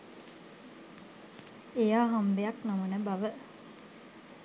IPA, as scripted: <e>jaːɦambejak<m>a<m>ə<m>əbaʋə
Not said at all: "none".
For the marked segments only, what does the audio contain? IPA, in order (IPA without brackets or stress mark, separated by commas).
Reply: e, n, m, n